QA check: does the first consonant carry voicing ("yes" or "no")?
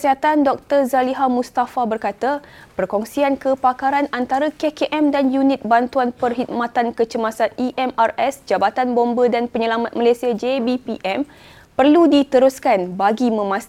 no